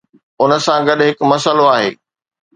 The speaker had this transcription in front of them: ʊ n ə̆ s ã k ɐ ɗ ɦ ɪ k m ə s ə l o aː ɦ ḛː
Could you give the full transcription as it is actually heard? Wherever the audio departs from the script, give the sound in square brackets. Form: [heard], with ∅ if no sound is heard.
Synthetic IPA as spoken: ʊ n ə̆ s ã [ɡ] ɐ ɗ ɦ ɪ k m [ɐ] s ə l o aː ɦ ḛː